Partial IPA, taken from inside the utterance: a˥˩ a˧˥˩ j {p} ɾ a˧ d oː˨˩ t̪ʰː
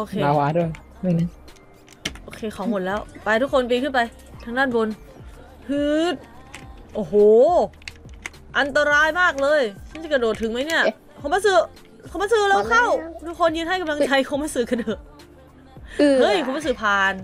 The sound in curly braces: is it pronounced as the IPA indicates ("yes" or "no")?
no